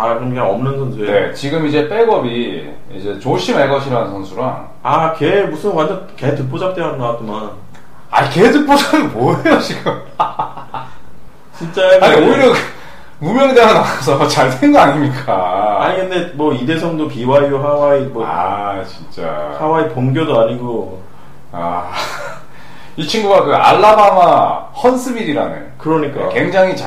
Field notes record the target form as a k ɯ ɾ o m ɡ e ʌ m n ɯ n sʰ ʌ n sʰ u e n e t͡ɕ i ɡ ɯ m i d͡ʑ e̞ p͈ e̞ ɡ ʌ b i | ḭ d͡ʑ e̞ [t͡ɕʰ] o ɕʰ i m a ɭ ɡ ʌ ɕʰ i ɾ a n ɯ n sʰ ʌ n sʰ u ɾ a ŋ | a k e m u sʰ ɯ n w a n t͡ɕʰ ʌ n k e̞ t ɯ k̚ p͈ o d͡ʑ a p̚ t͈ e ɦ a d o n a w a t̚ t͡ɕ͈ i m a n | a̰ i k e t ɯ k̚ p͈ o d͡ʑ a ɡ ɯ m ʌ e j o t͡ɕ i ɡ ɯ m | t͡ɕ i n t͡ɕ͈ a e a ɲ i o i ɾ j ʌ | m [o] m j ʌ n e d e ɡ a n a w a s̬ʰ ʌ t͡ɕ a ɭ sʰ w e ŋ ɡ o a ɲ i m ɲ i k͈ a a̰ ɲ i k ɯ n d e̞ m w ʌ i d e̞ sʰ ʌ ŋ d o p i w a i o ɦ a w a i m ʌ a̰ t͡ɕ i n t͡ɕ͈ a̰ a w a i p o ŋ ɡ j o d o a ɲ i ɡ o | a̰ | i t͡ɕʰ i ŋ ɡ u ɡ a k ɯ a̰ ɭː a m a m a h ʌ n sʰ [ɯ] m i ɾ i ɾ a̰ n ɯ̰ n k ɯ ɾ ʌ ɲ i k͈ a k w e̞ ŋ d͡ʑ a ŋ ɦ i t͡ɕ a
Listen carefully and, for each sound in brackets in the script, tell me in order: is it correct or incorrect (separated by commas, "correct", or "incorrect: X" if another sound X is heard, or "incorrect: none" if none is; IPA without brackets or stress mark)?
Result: incorrect: t͡ɕ, incorrect: u, correct